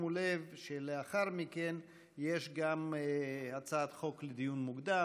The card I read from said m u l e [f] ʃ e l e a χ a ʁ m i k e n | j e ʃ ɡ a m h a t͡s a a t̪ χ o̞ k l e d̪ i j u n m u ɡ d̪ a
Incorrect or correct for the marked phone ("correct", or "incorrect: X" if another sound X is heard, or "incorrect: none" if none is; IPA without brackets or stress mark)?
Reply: incorrect: v